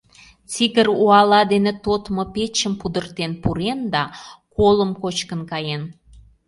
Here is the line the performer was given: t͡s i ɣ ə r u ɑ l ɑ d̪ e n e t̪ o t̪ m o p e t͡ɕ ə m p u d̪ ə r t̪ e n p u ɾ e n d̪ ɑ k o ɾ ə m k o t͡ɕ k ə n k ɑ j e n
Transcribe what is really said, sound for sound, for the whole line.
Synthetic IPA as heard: t͡s i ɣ ə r u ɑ l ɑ d̪ e n e t̪ o t̪ m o p e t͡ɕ ə m p u d̪ ə r t̪ e n p u ɾ e n d̪ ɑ k o l ə m k o t͡ɕ k ə n k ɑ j e n